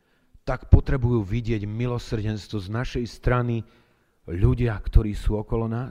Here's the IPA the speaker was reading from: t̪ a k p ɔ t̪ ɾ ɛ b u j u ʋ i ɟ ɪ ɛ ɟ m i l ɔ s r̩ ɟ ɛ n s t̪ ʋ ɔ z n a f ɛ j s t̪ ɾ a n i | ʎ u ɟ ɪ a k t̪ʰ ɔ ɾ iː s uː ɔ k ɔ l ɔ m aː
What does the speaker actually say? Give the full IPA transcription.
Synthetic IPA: t̪ a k p ɔ t̪ ɾ ɛ b u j uː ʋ i ɟ ɪ ɛ ɟ m i l ɔ s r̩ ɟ ɛ n s t̪ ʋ ɔ z n a ʃ ɛ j s t̪ ɾ a n i | ʎ u ɟ ɪ a k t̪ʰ ɔ ɾ iː s uː ɔ k ɔ l ɔ n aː